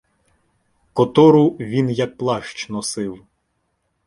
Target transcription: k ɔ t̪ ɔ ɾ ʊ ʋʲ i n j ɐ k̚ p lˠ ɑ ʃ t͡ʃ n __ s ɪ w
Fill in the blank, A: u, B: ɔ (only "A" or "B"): B